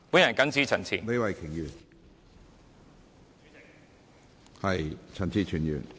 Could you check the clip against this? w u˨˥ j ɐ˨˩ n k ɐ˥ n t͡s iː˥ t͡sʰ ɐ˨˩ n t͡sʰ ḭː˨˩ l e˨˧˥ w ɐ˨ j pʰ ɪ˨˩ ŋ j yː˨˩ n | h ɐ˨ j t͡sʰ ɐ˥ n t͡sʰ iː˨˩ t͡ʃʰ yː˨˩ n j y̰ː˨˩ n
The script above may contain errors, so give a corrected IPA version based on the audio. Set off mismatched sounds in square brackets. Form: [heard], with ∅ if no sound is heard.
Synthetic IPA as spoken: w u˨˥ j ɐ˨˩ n k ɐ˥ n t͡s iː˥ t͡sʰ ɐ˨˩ n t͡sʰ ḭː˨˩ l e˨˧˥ w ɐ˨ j [kʰ] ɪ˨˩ ŋ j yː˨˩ n | h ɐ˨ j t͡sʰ [ɐ˨˩] n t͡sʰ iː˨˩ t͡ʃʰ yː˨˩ n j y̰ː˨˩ n